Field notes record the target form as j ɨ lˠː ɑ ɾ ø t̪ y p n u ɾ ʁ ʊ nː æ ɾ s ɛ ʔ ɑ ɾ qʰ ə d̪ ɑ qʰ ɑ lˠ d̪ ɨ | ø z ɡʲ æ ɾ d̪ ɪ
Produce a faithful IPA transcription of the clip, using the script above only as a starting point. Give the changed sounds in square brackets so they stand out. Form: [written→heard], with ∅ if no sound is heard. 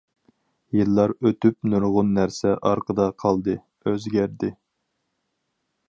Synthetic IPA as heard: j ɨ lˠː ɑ ɾ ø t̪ y p n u ɾ ʁ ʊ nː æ ɾ s ɛ ʔ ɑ ɾ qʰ ə d̪ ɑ qʰ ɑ lˠ d̪ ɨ | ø z ɡʲ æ ɾ d̪ ɪ